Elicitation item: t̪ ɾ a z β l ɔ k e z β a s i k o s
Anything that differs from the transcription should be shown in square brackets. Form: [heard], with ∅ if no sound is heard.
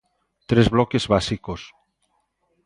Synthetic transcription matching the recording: t̪ ɾ [e] z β l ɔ k e z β a s i k o s